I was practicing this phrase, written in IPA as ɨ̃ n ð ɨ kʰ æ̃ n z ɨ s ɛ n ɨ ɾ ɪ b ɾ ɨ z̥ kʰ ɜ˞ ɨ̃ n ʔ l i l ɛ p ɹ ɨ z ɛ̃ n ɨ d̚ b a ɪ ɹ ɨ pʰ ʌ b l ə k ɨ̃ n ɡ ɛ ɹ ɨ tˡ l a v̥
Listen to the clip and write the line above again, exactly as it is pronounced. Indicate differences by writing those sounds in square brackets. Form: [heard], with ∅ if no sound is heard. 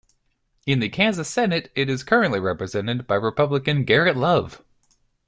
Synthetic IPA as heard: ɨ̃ n ð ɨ kʰ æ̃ n z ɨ s ɛ n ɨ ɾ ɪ [∅] ɾ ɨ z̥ kʰ ɜ˞ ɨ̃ n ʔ l i [ɹ] ɛ p ɹ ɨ z ɛ̃ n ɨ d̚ b a ɪ ɹ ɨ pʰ ʌ b l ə k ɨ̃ n ɡ ɛ ɹ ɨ tˡ l [ʌ] v̥